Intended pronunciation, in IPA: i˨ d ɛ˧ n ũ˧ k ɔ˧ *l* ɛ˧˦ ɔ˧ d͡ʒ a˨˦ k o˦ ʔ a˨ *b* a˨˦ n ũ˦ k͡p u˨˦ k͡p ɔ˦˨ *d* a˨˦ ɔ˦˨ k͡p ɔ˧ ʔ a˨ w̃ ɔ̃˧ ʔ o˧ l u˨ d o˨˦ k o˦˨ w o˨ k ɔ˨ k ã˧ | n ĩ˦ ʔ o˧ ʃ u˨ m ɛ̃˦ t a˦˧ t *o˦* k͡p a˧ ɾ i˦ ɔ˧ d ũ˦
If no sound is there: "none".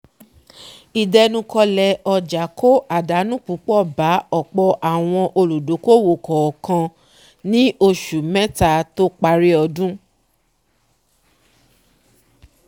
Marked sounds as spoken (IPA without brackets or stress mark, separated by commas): l, d, b, o˦